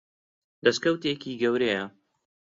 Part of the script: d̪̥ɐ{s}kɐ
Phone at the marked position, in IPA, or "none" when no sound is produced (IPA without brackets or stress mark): s